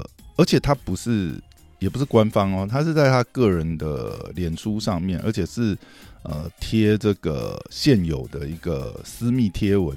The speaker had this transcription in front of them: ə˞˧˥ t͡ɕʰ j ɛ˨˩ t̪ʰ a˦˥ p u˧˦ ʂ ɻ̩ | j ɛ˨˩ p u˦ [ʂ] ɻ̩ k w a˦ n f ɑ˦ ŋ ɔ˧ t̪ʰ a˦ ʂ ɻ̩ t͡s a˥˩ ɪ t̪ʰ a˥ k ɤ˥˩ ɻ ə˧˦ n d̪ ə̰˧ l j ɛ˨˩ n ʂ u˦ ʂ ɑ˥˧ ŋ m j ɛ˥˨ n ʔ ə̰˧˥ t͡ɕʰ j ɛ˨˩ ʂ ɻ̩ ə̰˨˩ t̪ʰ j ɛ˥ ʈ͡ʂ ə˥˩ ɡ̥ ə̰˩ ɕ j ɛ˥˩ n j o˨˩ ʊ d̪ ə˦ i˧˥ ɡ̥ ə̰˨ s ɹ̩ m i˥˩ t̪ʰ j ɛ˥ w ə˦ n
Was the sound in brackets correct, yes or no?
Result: yes